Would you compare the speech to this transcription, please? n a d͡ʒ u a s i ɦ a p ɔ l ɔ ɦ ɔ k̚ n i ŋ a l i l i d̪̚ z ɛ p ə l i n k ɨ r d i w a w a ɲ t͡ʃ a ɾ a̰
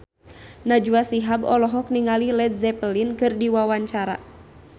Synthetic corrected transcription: n a d͡ʒ u a s i ɦ a b ɔ l ɔ ɦ ɔ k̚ n i ŋ a l i l ɛ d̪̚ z ɛ p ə l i n k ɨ r d i w a w a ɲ t͡ʃ a ɾ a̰